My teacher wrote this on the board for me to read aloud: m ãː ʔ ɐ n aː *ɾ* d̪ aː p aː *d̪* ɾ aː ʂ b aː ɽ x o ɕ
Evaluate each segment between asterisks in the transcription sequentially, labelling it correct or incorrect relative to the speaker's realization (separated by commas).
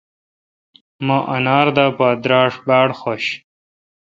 correct, correct